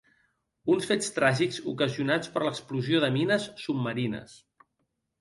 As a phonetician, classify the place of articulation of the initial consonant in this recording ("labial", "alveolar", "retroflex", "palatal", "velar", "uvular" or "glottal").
alveolar